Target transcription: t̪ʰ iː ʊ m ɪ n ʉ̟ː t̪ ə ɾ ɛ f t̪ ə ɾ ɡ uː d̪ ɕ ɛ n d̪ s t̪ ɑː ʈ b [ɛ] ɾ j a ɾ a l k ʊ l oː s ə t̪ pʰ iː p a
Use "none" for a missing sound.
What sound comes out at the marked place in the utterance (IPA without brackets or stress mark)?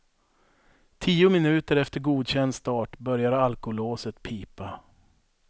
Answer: œ